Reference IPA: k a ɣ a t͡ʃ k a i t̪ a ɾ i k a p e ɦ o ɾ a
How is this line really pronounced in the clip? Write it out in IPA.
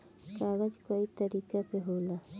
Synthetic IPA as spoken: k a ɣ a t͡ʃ k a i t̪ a ɾ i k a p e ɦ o l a